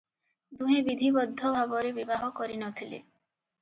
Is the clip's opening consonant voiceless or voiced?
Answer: voiced